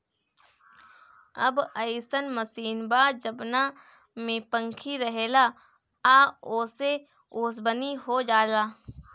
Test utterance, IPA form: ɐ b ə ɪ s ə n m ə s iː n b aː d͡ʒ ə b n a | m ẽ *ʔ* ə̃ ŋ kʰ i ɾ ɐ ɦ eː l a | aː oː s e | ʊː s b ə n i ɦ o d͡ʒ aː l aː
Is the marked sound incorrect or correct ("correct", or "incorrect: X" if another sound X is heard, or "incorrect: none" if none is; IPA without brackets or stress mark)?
incorrect: p